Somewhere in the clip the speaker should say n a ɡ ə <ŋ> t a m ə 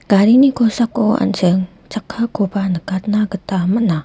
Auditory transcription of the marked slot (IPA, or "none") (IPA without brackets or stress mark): none